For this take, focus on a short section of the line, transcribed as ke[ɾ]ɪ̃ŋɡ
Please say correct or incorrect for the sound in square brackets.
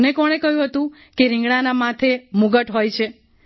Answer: correct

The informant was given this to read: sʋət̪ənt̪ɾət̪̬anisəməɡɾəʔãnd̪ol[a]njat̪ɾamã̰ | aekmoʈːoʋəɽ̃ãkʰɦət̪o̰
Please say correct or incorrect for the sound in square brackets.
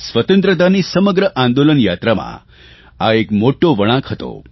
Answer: incorrect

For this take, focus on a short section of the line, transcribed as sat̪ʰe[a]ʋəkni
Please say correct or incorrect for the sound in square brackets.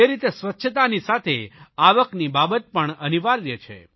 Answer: correct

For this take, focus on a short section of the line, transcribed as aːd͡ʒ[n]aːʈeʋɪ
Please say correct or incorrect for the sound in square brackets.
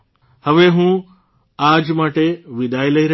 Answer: incorrect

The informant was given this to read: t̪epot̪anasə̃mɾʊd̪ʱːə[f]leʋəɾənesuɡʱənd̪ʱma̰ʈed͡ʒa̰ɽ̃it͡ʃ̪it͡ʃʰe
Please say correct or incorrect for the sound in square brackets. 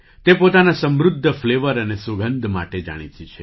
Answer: correct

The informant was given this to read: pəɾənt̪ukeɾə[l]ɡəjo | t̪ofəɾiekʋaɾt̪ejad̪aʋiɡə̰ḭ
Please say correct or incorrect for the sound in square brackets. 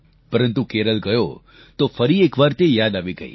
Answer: correct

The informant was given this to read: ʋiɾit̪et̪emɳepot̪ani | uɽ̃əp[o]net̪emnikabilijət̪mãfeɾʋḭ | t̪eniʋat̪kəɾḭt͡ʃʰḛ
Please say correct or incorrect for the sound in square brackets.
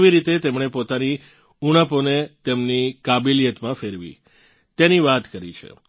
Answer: correct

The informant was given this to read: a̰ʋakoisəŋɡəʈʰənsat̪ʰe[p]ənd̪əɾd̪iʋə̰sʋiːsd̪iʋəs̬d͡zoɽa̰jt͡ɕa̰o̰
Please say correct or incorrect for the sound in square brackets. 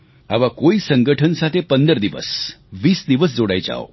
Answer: correct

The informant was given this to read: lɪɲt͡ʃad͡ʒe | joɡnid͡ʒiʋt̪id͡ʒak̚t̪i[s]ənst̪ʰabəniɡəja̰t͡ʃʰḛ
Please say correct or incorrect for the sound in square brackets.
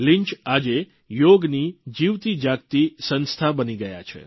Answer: correct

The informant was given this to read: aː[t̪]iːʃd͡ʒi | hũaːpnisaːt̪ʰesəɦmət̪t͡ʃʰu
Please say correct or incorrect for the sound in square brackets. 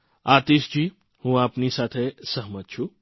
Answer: correct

